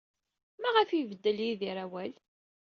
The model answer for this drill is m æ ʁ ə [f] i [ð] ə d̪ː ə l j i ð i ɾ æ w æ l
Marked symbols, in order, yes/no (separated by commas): yes, no